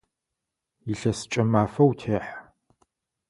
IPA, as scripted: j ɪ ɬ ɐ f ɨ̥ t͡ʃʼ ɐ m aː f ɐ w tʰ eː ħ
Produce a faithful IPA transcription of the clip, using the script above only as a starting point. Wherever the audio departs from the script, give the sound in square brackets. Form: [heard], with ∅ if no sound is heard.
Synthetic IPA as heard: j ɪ ɬ ɐ [s] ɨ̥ t͡ʃʼ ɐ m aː f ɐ w tʰ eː ħ